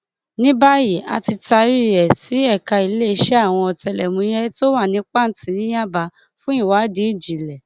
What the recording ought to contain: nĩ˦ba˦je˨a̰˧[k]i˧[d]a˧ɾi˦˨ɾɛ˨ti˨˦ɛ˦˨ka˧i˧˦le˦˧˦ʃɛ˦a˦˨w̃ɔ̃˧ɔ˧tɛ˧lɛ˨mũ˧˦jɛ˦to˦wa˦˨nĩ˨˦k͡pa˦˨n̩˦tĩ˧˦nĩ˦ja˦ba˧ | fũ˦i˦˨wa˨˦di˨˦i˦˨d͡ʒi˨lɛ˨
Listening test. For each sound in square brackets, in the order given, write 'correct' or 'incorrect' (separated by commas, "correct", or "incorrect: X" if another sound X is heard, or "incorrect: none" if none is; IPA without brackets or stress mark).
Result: incorrect: t, incorrect: t